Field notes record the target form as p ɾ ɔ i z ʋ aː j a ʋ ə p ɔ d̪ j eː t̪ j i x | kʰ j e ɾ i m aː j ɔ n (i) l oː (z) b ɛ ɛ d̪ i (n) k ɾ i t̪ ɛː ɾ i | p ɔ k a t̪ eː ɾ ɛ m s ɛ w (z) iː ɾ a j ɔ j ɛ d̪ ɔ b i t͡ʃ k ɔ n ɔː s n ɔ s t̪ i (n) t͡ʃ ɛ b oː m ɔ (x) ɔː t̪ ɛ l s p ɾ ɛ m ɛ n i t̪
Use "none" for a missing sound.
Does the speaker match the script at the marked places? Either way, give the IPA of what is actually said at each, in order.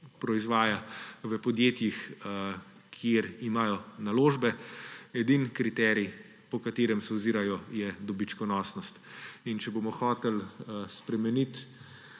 a, ʒ, n, z, n, x

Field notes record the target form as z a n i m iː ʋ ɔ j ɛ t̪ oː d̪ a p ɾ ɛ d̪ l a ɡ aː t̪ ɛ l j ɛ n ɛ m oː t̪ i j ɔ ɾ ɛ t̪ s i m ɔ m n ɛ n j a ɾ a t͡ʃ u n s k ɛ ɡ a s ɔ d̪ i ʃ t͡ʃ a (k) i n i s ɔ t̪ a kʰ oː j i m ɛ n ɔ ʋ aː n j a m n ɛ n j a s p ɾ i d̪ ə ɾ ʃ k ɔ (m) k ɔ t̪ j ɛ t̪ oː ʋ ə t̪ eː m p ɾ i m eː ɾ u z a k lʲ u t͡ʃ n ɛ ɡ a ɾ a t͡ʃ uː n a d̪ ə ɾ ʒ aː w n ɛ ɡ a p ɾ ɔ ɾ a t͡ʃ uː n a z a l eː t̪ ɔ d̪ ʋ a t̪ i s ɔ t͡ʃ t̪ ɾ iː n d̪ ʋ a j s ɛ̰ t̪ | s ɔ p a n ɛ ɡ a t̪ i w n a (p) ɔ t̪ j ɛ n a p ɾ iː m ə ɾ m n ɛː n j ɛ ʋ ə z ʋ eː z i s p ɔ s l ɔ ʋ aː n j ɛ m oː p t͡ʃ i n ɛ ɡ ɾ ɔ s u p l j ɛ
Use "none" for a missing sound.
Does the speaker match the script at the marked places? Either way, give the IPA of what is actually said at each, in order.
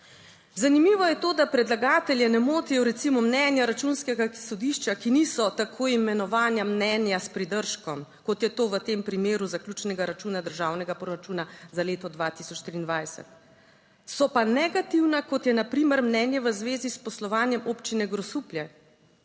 k, m, k

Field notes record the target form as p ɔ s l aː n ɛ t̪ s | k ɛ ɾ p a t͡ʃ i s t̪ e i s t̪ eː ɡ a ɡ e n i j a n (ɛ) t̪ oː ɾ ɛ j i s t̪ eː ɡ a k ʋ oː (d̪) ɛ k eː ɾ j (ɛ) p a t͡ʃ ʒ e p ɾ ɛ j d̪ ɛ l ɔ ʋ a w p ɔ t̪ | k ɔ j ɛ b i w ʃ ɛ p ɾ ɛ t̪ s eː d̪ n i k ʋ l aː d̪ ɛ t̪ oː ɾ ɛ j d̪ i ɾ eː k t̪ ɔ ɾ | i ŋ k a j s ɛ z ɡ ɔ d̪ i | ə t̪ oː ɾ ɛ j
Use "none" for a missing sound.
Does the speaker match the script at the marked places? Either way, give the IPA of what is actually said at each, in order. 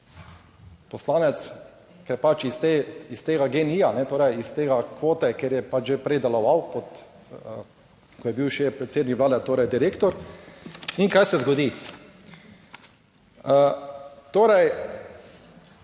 ɛ, t̪, ɛ

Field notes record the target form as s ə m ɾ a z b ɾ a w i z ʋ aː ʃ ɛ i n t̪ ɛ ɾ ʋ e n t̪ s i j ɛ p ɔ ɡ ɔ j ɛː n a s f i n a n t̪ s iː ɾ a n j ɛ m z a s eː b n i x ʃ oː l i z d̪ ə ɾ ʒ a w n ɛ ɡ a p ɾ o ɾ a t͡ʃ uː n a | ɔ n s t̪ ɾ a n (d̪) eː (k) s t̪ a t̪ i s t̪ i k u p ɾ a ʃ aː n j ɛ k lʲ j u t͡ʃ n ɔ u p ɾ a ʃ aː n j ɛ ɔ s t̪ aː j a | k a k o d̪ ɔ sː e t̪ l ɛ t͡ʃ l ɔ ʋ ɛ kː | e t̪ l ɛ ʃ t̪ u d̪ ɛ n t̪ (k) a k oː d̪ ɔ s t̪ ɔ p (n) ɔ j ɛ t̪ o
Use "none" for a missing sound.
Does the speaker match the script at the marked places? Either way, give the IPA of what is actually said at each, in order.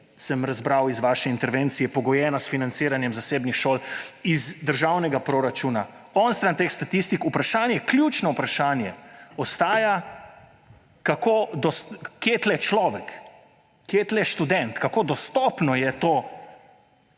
t̪, x, k, n

